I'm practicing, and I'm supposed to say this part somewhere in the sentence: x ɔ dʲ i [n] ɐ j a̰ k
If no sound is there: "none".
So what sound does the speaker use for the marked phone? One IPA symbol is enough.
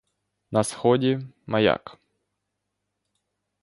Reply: m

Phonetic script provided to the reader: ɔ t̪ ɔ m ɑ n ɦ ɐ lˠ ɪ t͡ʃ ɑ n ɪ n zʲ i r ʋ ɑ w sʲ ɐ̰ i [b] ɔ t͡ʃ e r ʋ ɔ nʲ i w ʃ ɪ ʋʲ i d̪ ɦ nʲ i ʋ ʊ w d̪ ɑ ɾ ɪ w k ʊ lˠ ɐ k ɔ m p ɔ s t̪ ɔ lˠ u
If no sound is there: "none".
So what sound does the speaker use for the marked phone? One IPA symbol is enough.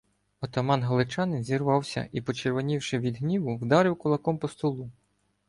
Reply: p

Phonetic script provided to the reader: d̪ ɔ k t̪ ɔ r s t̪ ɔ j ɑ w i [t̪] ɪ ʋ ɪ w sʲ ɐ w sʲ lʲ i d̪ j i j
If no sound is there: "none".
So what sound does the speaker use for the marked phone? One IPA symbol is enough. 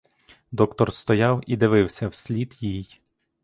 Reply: d̪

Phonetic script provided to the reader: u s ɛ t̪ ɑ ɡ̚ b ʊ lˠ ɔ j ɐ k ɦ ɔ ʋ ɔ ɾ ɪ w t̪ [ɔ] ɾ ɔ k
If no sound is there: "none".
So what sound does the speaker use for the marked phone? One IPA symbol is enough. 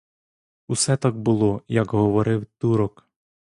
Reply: u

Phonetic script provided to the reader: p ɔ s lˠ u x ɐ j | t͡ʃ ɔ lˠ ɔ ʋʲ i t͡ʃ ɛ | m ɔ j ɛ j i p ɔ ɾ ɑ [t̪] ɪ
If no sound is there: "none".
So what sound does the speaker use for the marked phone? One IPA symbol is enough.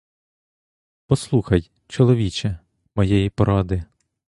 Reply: d̪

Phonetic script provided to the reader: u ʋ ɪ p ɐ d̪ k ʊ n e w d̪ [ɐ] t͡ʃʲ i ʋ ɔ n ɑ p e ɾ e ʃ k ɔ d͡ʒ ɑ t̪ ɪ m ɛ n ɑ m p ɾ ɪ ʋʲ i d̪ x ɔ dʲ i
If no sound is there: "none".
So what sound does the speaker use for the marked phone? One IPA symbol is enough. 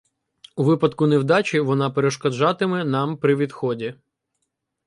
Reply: ɑ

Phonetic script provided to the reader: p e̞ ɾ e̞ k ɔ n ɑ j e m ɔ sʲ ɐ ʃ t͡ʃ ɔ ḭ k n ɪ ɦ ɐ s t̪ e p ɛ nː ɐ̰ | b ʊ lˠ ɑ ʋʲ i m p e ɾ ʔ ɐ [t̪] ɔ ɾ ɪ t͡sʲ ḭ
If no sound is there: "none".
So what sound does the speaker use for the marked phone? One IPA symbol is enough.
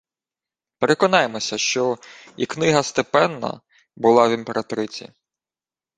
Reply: t̪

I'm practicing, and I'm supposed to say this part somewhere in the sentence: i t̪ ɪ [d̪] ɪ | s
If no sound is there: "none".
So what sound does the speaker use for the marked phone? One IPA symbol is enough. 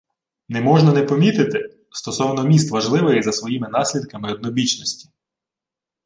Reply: t̪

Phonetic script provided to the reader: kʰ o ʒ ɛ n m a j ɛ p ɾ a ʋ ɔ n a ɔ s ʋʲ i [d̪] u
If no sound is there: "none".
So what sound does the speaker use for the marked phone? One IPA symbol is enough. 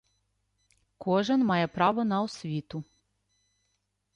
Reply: t̪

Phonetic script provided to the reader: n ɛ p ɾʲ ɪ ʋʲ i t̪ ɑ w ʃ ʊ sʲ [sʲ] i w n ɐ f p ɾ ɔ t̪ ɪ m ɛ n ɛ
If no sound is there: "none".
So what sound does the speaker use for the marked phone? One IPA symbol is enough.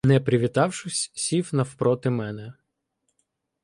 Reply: sʲ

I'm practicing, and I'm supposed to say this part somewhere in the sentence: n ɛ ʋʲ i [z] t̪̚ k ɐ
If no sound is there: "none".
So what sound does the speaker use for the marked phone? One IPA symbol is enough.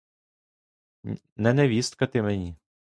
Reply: s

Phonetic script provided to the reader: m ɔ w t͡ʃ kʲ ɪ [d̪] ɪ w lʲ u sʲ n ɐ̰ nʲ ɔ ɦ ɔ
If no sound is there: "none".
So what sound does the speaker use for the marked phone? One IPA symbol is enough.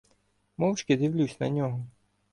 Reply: d̪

